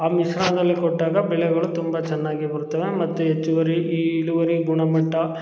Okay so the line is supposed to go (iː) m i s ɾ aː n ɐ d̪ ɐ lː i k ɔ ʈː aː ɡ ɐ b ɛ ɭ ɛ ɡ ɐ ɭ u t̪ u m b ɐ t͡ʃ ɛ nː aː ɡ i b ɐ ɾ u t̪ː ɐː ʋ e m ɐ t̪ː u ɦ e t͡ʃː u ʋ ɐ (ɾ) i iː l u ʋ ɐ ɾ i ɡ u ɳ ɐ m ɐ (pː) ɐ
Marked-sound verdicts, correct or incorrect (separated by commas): incorrect, correct, incorrect